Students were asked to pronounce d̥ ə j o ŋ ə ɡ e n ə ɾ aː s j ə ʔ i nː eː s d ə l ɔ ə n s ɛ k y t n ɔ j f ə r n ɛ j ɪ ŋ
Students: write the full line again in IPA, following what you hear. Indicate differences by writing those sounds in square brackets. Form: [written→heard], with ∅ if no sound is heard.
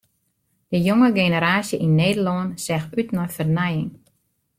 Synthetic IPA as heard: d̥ ə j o ŋ ə ɡ e n ə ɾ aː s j ə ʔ i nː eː [s→∅] d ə l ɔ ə n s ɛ [k→x] y t n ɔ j f ə r n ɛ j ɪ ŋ